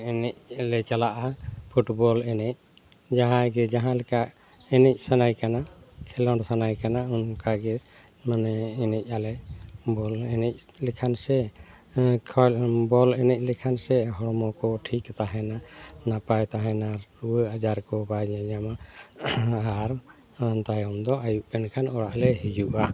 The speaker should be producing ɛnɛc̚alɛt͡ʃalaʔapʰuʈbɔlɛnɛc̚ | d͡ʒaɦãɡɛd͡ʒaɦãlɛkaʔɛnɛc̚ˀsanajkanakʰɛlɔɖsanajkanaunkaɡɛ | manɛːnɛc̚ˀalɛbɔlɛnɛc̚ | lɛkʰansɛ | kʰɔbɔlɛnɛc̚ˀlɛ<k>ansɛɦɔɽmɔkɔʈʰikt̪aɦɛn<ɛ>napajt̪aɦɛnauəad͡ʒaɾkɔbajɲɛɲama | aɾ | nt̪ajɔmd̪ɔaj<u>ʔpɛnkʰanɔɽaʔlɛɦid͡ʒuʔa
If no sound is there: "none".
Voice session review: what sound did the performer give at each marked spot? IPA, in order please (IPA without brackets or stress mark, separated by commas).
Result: kʰ, a, u